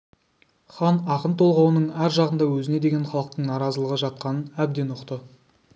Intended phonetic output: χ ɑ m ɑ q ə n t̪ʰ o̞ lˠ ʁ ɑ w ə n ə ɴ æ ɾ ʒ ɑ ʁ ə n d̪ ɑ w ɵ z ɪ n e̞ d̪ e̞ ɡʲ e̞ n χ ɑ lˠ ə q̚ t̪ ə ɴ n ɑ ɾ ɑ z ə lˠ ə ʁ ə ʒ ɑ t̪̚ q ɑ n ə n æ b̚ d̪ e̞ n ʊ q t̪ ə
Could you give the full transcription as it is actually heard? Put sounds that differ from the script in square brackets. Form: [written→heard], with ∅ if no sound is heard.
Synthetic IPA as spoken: χ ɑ [m→n] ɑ q ə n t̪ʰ o̞ lˠ ʁ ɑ w ə n ə ɴ æ ɾ ʒ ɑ ʁ ə n d̪ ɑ w ɵ z ɪ n e̞ d̪ e̞ ɡʲ e̞ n χ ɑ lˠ ə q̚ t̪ ə ɴ n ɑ ɾ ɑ z ə lˠ ə ʁ ə ʒ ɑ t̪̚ q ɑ n ə n æ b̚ d̪ e̞ n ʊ q t̪ ə